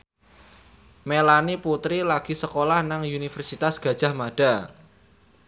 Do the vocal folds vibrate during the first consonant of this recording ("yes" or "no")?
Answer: yes